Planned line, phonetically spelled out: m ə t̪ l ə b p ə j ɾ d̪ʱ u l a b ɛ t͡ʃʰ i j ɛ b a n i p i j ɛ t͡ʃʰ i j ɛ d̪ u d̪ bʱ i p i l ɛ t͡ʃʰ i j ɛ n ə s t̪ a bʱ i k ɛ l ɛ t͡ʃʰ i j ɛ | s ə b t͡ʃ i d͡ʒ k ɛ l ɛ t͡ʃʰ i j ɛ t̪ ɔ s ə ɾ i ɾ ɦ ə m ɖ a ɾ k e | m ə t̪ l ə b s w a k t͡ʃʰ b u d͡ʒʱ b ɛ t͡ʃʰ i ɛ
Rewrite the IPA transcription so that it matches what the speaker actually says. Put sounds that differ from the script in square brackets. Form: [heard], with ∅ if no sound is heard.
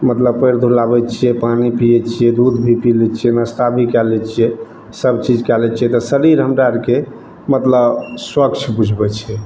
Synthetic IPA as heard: m ə t̪ l ə b p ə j ɾ d̪ʱ u l a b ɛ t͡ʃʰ i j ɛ [p] a n i p i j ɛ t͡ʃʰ i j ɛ d̪ u d̪ bʱ i p i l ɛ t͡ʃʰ i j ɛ n ə s t̪ a bʱ i k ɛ l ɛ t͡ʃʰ i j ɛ | s ə b t͡ʃ i d͡ʒ k ɛ l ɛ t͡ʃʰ i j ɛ t̪ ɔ s ə ɾ i ɾ ɦ ə m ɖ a ɾ k e | m ə t̪ l ə b s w [ə] k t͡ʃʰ b u d͡ʒʱ b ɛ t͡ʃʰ i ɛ

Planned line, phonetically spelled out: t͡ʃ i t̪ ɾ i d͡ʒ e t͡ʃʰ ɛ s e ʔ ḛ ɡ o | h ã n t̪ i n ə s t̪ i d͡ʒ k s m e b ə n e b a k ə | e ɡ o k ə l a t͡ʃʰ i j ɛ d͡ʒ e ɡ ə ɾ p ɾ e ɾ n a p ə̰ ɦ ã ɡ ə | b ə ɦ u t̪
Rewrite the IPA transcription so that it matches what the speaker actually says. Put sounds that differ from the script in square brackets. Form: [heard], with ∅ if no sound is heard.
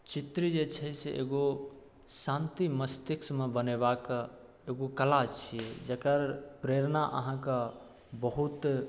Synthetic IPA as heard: t͡ʃ i t̪ ɾ i d͡ʒ e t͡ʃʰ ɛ s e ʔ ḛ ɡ o | [s] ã n t̪ i [m] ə s t̪ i [∅] k s m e b ə n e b a k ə | e ɡ o k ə l a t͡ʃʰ i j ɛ d͡ʒ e [k] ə ɾ p ɾ e ɾ n a [ʔ] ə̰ ɦ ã [k] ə | b ə ɦ u t̪

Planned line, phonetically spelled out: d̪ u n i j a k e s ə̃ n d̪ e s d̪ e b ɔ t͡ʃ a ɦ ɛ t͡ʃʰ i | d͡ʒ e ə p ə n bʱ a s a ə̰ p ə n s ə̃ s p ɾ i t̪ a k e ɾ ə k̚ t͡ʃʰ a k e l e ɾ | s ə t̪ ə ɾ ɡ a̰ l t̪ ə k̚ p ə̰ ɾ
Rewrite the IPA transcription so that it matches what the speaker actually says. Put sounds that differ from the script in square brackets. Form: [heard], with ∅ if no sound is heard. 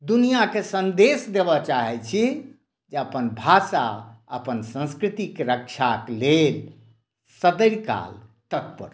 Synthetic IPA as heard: d̪ u n i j a k e s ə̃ n d̪ e s d̪ e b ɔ t͡ʃ a ɦ ɛ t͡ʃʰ i | d͡ʒ e ə p ə n bʱ a s a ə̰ p ə n s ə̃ s [k] ɾ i t̪ [i] k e ɾ ə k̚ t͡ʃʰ a k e l e [l] | s ə [d̪] ə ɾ [k] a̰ l t̪ ə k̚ p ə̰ ɾ

